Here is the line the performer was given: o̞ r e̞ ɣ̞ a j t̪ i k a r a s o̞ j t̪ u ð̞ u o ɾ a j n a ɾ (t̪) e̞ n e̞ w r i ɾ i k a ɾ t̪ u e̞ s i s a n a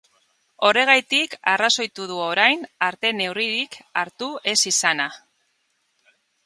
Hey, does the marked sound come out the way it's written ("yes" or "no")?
yes